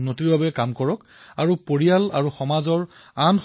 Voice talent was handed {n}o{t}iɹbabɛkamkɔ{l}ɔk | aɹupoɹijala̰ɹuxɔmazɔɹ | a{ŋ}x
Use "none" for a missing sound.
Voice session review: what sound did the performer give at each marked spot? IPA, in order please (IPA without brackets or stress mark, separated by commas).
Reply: n, t, ɹ, n